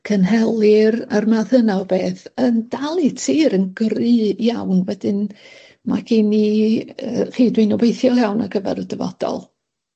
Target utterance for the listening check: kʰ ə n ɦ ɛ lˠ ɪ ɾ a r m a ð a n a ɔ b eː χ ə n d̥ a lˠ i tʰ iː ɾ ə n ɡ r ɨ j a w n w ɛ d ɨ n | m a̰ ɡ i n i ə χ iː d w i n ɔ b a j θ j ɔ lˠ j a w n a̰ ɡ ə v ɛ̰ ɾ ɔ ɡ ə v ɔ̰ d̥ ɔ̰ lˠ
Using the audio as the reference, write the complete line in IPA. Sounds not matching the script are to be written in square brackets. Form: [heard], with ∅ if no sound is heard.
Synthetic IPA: kʰ ə n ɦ ɛ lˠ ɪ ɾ a r m a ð [ə] n a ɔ b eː [θ] ə n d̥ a lˠ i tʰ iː ɾ ə n ɡ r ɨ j a w n w ɛ d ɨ n | m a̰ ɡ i n i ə χ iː d w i n ɔ b [e] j θ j ɔ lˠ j a w n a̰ ɡ ə v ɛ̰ ɾ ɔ [d] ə v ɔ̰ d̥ ɔ̰ lˠ